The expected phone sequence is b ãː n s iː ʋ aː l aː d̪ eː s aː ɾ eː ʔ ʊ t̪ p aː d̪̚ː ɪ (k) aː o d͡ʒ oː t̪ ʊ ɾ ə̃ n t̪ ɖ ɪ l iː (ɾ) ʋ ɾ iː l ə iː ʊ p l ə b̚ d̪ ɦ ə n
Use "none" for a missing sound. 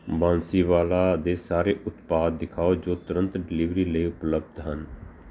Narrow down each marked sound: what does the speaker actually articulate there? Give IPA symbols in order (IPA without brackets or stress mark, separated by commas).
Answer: kʰ, none